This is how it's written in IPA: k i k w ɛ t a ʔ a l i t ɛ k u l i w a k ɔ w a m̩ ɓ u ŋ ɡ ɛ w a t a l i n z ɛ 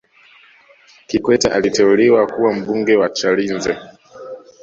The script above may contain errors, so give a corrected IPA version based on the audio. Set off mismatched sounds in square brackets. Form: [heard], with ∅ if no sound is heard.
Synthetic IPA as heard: k i k w ɛ t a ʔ a l i t ɛ [∅] u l i w a k [u] w a m̩ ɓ u ŋ ɡ ɛ w a [t͡ʃ] a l i n z ɛ

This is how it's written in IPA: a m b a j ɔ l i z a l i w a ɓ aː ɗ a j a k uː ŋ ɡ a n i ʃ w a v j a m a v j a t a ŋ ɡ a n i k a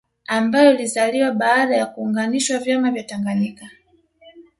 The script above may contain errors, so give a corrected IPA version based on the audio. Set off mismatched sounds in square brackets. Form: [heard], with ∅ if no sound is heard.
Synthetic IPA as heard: a m b a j ɔ l i z a l i w a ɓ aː ɗ a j a k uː ŋ ɡ a n i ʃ w a v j a m a v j a t a ŋ ɡ a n i k a

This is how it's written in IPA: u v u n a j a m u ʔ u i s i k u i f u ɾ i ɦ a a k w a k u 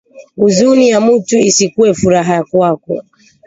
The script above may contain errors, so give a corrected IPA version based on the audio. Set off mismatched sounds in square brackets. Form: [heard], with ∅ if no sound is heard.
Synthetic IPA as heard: u [z] u n [i] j a m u [t] u i s i k u [ɛ] f u ɾ [a] ɦ a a k w a k [ɔ]

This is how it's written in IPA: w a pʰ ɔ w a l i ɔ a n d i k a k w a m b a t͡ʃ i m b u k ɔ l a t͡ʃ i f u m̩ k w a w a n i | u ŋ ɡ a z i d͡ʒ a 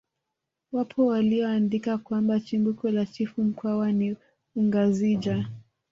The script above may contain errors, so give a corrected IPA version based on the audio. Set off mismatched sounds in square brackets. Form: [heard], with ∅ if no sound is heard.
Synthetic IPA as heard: w a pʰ ɔ w a l i ɔ a n d i k a k w a m b a t͡ʃ i m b u k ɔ l a t͡ʃ i f u m̩ k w a w a n i | u ŋ ɡ a z i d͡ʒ a

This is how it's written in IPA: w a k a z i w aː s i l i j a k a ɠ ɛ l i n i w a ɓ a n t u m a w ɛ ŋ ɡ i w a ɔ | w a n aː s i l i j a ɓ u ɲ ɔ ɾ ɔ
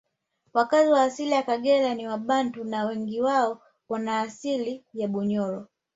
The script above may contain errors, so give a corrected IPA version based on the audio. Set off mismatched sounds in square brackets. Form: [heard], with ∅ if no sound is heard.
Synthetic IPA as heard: w a k a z i w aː s i l i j a k a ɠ ɛ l [a] n i w a ɓ a n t u [n] a w ɛ ŋ ɡ i w a ɔ | w a n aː s i l i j a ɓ u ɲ ɔ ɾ ɔ

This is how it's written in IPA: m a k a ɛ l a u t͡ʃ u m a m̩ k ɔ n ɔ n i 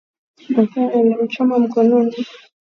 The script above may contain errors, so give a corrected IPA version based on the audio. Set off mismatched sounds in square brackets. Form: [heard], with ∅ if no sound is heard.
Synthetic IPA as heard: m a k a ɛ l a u t͡ʃ [ɔ] m a m̩ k ɔ n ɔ n i

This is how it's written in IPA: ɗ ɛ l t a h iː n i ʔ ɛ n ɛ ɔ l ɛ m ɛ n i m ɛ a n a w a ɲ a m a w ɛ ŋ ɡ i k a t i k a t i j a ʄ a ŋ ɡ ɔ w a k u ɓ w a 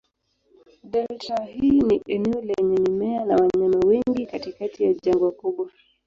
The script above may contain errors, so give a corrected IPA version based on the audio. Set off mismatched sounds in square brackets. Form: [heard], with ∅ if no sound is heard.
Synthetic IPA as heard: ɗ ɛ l t a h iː n i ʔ ɛ n ɛ ɔ l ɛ [ɲ] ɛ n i m ɛ a n a w a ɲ a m a w ɛ ŋ ɡ i k a t i k a t i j a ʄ a ŋ ɡ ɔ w a k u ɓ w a

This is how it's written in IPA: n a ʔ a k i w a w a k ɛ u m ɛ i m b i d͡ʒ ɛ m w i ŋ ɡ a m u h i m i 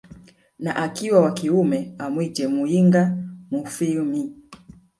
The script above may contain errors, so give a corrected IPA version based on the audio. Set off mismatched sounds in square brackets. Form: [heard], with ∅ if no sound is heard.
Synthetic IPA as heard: n a ʔ a k i w a w a k [i] u m ɛ [a] m [w] i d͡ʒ ɛ m [u] i ŋ ɡ a m u [f] i m i

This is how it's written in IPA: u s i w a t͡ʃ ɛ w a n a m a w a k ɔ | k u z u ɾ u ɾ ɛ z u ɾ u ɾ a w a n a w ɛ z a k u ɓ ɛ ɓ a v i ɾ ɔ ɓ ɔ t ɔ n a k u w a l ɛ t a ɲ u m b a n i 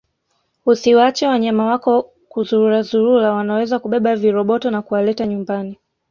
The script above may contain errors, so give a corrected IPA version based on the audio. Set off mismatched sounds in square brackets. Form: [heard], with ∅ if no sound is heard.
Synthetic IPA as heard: u s i w a t͡ʃ ɛ w a [ɲ] a m a w a k ɔ | k u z u ɾ u ɾ [a] z u ɾ u ɾ a w a n a w ɛ z a k u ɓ ɛ ɓ a v i ɾ ɔ ɓ ɔ t ɔ n a k u w a l ɛ t a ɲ u m b a n i

